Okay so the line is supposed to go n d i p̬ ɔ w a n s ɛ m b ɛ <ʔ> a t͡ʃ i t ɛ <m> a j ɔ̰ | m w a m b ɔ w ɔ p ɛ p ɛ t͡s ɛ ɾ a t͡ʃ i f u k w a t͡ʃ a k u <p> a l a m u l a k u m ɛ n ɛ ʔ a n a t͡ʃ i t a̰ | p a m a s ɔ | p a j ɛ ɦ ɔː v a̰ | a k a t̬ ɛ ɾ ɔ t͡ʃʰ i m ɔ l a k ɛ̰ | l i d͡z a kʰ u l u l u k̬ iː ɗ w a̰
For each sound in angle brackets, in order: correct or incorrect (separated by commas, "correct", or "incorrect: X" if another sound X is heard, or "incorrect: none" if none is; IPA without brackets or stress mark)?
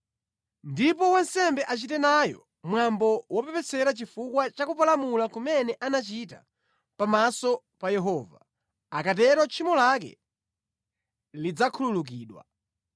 correct, incorrect: n, correct